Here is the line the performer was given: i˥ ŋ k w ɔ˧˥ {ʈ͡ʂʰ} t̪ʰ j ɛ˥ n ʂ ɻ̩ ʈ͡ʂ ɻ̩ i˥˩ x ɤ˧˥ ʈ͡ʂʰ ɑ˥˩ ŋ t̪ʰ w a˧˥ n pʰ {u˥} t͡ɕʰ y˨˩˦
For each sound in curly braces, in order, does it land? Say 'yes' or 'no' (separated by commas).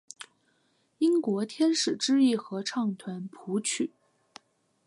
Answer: no, no